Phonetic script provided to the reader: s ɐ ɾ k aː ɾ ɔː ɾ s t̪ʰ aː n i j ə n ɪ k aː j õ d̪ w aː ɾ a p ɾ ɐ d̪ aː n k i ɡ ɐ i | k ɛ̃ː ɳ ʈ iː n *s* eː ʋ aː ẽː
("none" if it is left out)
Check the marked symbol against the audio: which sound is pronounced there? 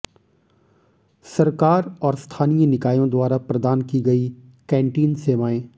s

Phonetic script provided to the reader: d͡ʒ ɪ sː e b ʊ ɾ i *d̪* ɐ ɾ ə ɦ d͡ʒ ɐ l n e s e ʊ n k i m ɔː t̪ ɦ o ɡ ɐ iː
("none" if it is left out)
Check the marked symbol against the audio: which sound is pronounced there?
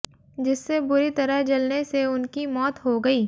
t̪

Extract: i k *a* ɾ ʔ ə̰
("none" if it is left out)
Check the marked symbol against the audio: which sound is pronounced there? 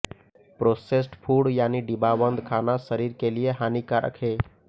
a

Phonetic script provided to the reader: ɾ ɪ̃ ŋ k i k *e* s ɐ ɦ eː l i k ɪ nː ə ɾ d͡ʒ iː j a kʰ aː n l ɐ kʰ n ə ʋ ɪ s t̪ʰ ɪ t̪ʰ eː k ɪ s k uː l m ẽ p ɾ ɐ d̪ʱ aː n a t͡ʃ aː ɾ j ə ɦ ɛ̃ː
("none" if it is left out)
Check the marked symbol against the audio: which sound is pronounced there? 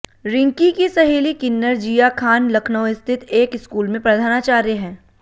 i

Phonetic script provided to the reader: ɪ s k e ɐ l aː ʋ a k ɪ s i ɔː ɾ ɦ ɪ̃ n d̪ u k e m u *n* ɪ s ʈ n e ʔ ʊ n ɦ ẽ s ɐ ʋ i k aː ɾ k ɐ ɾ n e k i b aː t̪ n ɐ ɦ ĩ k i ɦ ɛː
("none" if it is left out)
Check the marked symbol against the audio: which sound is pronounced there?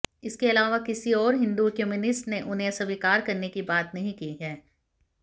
n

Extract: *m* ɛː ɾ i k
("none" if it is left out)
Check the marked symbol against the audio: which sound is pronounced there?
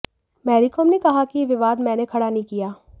m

